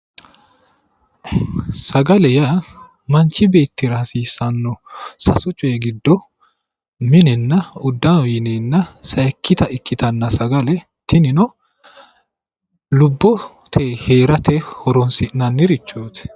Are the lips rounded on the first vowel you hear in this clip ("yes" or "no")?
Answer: no